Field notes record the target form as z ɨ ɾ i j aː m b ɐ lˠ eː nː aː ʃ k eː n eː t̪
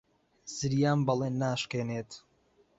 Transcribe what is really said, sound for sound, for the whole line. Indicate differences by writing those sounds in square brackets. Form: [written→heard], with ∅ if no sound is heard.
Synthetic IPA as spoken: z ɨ ɾ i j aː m b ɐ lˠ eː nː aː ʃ k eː n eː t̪